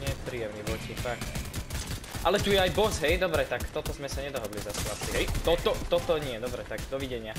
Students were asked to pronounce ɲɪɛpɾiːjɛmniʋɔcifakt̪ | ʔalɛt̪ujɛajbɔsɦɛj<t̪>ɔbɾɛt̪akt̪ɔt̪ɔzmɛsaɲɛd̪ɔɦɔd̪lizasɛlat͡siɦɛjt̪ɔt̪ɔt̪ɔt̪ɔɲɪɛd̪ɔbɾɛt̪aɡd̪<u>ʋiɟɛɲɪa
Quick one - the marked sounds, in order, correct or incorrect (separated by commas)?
incorrect, incorrect